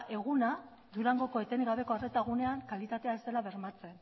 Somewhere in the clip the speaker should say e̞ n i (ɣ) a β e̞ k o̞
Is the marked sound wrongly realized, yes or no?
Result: no